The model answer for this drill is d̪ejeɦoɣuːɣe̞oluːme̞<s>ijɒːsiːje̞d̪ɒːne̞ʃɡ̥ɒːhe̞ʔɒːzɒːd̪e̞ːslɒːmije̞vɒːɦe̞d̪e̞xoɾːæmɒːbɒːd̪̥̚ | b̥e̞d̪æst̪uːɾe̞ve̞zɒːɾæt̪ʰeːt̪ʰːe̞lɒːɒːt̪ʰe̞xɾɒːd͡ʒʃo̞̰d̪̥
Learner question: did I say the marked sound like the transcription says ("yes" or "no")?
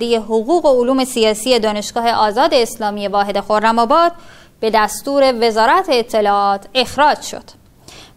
yes